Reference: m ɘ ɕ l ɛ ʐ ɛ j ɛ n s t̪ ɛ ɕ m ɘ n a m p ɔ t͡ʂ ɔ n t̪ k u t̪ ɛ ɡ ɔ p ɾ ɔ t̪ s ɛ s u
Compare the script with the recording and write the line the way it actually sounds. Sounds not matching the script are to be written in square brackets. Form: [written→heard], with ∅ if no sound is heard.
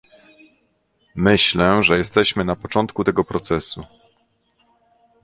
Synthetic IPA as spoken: m ɘ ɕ l ɛ ʐ ɛ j ɛ [n→∅] s t̪ ɛ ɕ m ɘ n a [m→∅] p ɔ t͡ʂ ɔ n t̪ k u t̪ ɛ ɡ ɔ p ɾ ɔ t̪ s ɛ s u

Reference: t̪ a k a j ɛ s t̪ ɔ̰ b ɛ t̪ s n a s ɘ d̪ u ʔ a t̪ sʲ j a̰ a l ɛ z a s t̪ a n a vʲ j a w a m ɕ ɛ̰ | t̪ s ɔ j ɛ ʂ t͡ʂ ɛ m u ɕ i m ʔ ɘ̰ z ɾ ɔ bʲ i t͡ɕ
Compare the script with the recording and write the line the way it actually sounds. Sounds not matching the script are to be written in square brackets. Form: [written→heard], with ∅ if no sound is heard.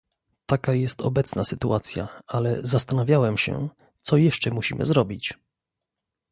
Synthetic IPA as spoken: t̪ a k a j ɛ s t̪ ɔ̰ b ɛ t̪ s n a s ɘ [d̪→t̪] u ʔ a t̪ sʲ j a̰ a l ɛ z a s t̪ a n a vʲ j a w [a→ɛ] m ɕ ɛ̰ | t̪ s ɔ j ɛ ʂ t͡ʂ ɛ m u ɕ i m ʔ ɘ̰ z ɾ ɔ bʲ i t͡ɕ

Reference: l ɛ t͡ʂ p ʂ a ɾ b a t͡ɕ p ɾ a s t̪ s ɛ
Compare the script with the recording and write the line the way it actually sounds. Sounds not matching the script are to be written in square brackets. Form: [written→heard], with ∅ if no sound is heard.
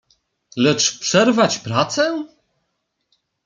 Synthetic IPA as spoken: l ɛ t͡ʂ p ʂ [a→ɛ] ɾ [b→v] a t͡ɕ p ɾ a [s→∅] t̪ s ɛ

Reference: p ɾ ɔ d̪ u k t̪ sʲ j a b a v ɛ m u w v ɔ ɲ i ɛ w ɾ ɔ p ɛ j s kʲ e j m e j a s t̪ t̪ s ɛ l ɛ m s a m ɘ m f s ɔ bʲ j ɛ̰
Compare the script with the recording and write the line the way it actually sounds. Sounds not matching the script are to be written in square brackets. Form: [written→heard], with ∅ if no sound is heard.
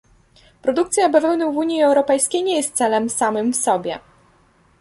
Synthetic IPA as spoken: p ɾ ɔ d̪ u k t̪ sʲ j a b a v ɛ [m→n] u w v [ɔ→u] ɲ i ɛ w ɾ ɔ p ɛ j s kʲ e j [m→ɲ] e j [a→ɛ] s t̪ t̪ s ɛ l ɛ m s a m ɘ m f s ɔ bʲ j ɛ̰

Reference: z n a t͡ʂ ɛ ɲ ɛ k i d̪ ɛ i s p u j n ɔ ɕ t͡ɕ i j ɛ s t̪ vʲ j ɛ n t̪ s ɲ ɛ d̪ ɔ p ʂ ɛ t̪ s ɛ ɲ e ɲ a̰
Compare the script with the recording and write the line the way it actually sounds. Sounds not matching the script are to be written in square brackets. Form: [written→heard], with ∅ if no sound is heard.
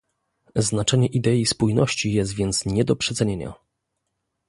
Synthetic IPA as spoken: z n a t͡ʂ ɛ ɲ ɛ [k→ʔ] i d̪ ɛ i s p u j n ɔ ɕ t͡ɕ i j ɛ s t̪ vʲ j ɛ n t̪ s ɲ ɛ d̪ ɔ p ʂ ɛ t̪ s ɛ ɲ e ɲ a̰

